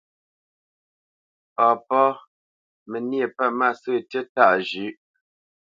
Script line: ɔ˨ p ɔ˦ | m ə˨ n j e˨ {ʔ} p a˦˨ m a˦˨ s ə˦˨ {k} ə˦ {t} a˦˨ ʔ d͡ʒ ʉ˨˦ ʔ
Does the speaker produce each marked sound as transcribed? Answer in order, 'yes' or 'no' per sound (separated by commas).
no, no, yes